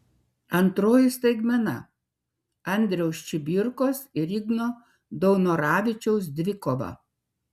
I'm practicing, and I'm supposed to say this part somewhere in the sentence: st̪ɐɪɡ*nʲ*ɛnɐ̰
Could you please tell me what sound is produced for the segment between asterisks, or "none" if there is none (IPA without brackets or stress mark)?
mʲ